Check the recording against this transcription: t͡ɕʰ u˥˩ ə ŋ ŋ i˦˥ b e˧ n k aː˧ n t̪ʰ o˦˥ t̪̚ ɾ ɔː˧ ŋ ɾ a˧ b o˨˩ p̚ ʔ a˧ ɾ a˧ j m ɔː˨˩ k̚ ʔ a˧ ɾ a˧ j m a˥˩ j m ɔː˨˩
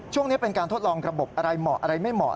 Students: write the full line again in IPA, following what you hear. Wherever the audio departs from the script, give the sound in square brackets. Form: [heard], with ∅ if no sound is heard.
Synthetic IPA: t͡ɕʰ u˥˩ ə ŋ [n] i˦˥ [p] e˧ n k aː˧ n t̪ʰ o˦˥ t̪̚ [l] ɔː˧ ŋ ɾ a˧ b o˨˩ p̚ ʔ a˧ ɾ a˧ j m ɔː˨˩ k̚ ʔ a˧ ɾ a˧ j m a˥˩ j m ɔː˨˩